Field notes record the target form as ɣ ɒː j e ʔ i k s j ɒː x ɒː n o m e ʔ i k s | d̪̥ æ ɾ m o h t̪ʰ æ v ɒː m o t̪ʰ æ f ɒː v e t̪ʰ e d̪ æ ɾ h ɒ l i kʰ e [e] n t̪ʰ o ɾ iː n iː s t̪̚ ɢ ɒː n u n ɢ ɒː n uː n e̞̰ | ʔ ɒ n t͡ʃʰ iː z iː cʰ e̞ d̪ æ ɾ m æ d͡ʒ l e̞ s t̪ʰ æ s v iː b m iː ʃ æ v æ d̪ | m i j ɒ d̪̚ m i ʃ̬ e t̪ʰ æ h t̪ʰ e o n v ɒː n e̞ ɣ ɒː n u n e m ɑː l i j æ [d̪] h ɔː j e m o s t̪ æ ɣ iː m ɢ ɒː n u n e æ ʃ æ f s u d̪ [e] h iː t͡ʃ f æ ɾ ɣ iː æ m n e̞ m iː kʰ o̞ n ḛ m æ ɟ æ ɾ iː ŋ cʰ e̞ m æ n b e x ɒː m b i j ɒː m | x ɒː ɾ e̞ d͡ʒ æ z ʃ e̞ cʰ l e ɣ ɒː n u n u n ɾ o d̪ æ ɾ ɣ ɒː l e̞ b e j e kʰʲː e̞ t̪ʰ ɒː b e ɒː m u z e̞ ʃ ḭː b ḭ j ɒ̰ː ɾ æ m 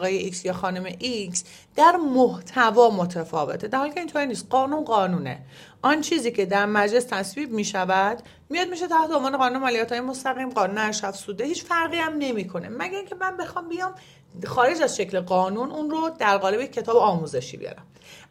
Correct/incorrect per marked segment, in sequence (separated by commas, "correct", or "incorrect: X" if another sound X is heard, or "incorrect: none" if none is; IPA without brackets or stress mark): incorrect: i, incorrect: t̪, correct